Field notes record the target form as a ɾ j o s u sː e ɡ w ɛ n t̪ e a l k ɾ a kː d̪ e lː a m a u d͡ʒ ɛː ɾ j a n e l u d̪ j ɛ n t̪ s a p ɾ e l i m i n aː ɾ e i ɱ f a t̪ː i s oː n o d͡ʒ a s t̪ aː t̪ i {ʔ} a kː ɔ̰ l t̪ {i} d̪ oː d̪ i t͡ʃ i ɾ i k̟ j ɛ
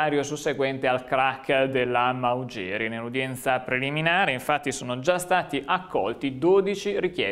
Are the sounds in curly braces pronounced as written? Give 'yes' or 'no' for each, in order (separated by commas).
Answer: yes, yes